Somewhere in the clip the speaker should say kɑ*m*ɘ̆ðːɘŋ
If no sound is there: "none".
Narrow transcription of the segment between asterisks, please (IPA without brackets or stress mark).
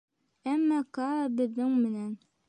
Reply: b